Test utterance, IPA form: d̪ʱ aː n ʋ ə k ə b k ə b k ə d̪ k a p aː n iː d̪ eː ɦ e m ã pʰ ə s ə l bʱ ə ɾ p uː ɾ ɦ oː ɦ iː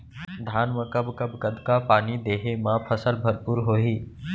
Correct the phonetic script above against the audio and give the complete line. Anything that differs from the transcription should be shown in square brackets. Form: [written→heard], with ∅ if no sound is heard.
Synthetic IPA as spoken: d̪ʱ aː n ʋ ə k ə b k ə b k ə d̪ k a p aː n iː d̪ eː ɦ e m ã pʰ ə s ə l bʱ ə ɾ p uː ɾ ɦ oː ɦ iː